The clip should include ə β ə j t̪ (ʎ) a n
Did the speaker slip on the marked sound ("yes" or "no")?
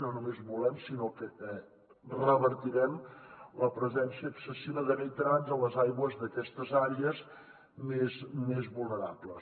yes